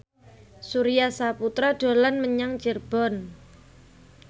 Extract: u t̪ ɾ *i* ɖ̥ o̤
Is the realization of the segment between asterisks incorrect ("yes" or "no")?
yes